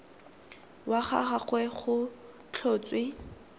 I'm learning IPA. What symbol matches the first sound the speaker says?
w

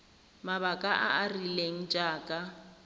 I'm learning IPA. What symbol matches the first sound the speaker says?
m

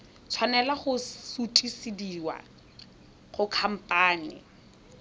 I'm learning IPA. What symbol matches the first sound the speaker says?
t͡sʰ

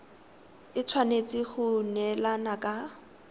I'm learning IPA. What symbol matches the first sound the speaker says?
ɪ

